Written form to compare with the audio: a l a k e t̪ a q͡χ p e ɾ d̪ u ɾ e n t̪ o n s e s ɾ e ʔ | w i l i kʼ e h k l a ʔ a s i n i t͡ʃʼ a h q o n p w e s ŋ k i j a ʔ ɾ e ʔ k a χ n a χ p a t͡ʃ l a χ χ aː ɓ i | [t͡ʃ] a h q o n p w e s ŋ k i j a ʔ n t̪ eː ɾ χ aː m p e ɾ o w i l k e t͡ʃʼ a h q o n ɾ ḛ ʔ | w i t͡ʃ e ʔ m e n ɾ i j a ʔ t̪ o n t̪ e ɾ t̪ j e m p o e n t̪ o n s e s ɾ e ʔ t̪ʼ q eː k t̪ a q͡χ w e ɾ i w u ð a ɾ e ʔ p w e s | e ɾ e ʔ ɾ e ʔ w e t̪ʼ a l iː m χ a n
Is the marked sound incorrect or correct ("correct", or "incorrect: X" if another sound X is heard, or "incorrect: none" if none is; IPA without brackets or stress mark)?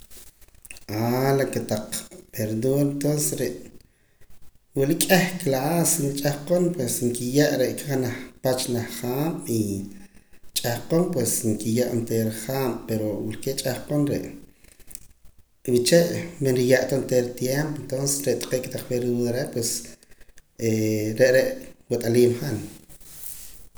incorrect: t͡ʃʼ